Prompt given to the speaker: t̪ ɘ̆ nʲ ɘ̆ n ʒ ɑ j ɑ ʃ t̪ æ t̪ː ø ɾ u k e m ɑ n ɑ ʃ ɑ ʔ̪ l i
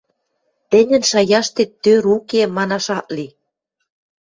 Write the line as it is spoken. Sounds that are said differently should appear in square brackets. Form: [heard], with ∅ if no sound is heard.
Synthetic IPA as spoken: t̪ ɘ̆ nʲ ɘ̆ n [ʃ] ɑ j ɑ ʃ t̪ [e] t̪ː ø ɾ u k e m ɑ n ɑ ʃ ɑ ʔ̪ l i